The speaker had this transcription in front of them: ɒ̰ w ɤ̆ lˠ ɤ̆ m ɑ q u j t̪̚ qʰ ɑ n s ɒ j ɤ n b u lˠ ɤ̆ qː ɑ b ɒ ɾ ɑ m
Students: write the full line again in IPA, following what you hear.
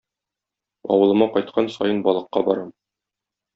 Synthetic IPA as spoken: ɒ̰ w ɤ̆ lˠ ɤ̆ m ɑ q ɒ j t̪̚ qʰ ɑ n s ɒ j ɤ n b ɒ lˠ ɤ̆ qː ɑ b ɒ ɾ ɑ m